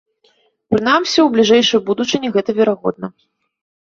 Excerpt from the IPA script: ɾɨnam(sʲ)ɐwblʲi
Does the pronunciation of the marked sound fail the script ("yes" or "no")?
no